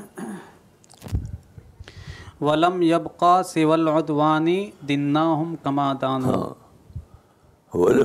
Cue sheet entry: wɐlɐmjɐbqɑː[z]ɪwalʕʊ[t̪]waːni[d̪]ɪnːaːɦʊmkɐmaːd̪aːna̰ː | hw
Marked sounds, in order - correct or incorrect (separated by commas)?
incorrect, incorrect, correct